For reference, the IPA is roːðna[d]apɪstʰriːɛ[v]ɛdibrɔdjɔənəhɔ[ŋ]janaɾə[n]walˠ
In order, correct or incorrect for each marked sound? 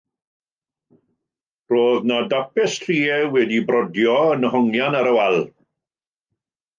correct, incorrect: w, correct, incorrect: none

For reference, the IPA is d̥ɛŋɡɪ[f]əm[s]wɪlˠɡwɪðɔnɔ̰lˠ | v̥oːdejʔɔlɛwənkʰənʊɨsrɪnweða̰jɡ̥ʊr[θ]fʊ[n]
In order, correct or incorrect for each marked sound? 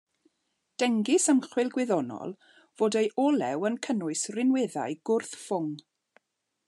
incorrect: s, incorrect: χ, correct, incorrect: ŋ

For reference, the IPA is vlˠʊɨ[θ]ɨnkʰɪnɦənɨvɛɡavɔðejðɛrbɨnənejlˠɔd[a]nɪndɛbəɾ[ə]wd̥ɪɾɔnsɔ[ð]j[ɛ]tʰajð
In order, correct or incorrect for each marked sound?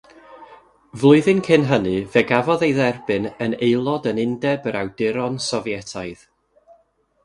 incorrect: ð, incorrect: ə, incorrect: a, incorrect: v, correct

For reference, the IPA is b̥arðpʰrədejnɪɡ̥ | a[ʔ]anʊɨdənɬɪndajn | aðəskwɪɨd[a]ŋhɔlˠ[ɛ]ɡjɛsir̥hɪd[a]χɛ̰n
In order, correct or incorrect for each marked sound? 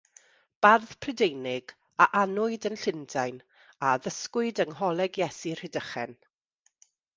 correct, incorrect: ə, correct, incorrect: ə

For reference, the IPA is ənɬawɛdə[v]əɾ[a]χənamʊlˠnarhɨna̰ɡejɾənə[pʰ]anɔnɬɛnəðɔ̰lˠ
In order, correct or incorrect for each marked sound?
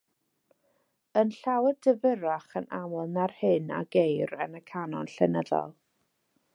correct, correct, incorrect: kʰ

